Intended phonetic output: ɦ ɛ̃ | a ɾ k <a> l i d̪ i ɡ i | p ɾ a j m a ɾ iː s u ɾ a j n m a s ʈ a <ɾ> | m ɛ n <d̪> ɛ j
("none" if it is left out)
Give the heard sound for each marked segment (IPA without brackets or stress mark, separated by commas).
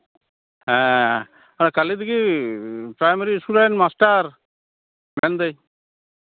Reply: a, ɾ, d̪